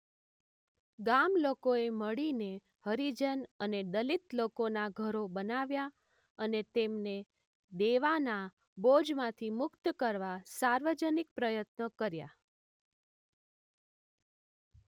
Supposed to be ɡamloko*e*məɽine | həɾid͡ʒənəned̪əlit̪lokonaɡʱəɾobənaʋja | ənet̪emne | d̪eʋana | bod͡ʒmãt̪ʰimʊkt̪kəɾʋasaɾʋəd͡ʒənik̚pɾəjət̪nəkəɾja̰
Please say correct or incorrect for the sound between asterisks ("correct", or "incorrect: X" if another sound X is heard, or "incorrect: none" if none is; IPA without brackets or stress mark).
correct